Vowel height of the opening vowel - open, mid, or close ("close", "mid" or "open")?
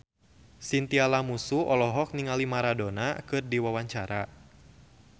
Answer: close